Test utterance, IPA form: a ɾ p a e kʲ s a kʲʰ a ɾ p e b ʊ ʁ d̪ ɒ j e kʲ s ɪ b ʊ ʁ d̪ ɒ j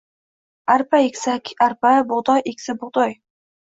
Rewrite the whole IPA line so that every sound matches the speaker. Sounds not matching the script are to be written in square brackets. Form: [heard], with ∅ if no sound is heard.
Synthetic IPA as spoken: a ɾ p a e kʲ s a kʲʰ a ɾ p [a] b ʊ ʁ d̪ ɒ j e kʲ s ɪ b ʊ ʁ d̪ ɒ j